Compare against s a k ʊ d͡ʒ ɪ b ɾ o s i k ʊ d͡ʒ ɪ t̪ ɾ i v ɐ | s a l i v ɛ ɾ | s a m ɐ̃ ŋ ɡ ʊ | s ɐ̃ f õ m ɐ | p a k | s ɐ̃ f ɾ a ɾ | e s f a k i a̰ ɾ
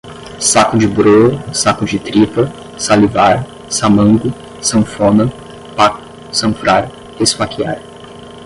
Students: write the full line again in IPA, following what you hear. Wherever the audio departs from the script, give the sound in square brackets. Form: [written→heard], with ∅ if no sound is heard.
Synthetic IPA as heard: s a k ʊ d͡ʒ ɪ b ɾ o s [i→a] k ʊ d͡ʒ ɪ t̪ ɾ i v ɐ | s a l i v [ɛ→a] ɾ | s a m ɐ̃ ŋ ɡ ʊ | s ɐ̃ f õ [m→n] ɐ | p a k | s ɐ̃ f ɾ a ɾ | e s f a k i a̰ ɾ